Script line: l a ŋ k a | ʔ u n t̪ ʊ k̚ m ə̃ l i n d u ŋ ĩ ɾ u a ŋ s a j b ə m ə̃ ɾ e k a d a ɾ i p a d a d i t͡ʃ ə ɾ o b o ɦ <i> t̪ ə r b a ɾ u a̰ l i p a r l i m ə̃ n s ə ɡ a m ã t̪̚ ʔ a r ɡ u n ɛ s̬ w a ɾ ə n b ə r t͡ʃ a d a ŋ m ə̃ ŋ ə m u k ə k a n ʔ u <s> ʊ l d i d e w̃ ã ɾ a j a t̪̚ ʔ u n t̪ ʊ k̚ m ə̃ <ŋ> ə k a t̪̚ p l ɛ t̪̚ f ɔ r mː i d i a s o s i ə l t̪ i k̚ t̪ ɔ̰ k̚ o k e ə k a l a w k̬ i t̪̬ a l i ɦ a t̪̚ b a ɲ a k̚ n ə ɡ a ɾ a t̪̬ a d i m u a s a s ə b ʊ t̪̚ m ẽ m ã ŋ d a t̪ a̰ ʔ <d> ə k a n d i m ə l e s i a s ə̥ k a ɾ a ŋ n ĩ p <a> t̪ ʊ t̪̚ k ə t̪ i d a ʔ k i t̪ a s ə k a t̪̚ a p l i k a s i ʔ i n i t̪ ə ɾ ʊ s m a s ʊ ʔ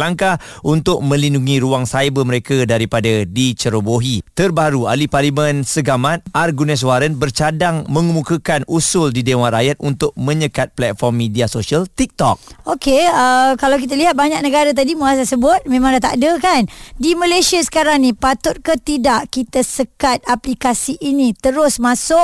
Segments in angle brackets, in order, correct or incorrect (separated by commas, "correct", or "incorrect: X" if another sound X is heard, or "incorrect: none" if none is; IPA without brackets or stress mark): correct, correct, incorrect: ɲ, correct, correct